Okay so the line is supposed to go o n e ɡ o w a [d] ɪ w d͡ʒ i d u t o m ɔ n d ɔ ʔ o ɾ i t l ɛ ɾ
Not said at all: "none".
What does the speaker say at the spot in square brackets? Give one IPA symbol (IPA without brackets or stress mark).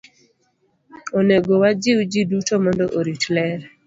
d͡ʒ